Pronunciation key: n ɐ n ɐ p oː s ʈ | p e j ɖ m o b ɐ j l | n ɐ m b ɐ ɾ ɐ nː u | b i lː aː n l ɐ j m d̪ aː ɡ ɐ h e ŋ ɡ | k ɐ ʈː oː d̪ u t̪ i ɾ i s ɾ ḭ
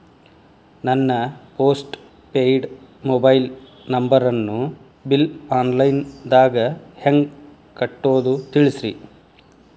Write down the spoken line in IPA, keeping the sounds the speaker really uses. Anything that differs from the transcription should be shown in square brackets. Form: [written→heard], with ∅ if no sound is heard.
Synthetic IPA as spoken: n ɐ [n→nː] ɐ p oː s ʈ | p e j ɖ m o b ɐ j l | n ɐ m b ɐ ɾ ɐ nː u | b i [lː→l] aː n l ɐ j [m→n] d̪ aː ɡ ɐ h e ŋ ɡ | k ɐ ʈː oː d̪ u t̪ i [ɾ→ɭ] i s ɾ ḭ